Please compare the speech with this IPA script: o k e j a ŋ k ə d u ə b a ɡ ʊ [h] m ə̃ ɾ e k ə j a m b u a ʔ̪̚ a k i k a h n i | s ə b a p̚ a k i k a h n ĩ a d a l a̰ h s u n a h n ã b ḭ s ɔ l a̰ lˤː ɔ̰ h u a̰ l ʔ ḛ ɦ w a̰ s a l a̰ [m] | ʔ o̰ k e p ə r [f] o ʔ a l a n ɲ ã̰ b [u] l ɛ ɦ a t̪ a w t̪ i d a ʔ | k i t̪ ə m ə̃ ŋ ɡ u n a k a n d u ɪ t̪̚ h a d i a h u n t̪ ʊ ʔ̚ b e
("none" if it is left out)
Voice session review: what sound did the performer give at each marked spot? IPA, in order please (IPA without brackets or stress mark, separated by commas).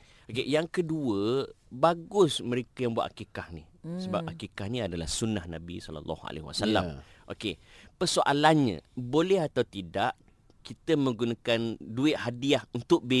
s, m, s, o